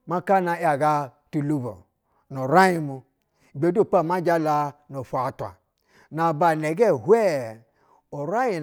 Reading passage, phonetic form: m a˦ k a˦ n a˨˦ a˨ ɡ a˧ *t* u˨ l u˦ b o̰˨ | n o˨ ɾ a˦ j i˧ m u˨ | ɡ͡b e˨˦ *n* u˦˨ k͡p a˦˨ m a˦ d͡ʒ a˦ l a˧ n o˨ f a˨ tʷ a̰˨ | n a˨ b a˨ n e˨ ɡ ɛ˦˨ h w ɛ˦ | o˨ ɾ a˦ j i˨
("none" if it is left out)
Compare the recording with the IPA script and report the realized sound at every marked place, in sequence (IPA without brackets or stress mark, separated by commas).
t, d